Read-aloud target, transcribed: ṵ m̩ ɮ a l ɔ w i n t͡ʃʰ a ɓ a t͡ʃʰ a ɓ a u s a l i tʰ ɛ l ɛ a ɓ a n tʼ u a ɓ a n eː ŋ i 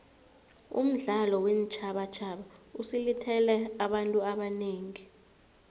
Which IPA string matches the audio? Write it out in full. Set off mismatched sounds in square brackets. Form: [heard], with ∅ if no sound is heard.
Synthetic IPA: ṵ m̩ ɮ a l ɔ w [e] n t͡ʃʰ a ɓ a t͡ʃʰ a ɓ a u s [i] l i tʰ ɛ l ɛ a ɓ a n tʼ u a ɓ a n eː ŋ i